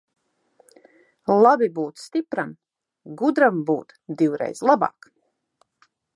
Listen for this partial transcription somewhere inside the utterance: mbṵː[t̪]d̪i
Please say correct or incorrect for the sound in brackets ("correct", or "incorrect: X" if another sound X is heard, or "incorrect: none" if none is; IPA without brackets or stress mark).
correct